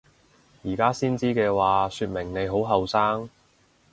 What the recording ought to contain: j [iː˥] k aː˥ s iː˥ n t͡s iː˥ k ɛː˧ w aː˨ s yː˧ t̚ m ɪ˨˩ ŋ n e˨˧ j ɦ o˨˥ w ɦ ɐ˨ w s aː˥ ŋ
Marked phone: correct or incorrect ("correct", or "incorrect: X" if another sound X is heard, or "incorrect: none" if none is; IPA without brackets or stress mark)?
incorrect: iː˨˩